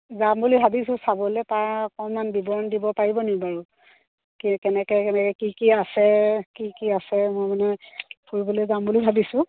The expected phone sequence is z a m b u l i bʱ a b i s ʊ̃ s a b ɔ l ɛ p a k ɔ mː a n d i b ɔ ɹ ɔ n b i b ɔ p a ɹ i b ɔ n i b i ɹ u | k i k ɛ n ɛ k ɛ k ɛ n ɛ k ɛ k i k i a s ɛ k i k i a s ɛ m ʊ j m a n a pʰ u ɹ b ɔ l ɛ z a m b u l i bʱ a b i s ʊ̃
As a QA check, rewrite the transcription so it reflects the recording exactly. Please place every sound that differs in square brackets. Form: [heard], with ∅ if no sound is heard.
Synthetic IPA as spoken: z a m b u l i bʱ a b i s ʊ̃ s a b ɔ l ɛ p a k ɔ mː a n [b] i b ɔ ɹ ɔ n [d] i b ɔ p a ɹ i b ɔ n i b [a] ɹ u | k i k ɛ n ɛ k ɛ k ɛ n ɛ k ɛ k i k i a s ɛ k i k i a s ɛ m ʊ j m a n [ɛ] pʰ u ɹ b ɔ l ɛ z a m b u l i bʱ a b i s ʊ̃